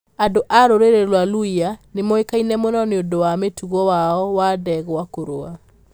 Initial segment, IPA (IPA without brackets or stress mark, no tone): a